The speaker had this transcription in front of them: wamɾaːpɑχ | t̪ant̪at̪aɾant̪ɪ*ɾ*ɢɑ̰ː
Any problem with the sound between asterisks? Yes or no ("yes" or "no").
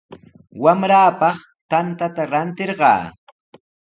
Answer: no